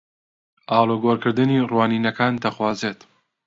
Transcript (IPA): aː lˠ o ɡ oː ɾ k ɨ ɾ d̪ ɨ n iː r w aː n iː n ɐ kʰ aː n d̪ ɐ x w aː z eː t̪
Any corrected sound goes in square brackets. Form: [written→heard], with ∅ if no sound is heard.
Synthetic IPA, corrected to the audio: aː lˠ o ɡ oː ɾ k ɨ ɾ d̪ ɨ n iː r w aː n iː n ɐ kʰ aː n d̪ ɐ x w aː z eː t̪